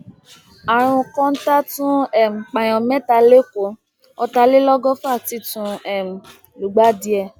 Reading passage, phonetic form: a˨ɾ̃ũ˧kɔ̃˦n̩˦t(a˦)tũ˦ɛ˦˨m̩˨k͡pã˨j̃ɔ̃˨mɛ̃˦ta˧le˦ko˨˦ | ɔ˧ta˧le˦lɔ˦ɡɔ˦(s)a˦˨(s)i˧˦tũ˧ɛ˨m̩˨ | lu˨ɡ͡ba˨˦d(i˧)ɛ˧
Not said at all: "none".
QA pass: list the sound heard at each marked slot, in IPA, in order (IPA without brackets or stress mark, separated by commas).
a˦, f, t, i˧